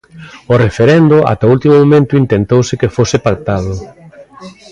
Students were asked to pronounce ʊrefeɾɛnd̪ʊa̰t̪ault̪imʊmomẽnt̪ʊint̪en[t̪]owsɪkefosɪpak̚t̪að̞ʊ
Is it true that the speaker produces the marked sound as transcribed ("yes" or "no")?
yes